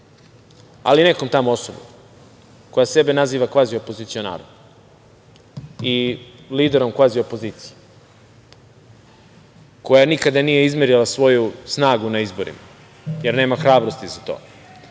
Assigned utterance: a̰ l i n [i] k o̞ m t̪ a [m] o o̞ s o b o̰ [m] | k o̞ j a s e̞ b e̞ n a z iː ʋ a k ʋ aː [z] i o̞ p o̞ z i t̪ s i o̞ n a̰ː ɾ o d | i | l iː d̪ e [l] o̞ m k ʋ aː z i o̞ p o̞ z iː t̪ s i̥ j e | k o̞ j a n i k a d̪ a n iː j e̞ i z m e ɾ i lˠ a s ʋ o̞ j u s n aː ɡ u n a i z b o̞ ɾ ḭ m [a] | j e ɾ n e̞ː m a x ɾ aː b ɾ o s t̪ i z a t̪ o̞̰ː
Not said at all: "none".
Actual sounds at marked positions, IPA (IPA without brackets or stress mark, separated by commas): e, m, m, z, ɾ, a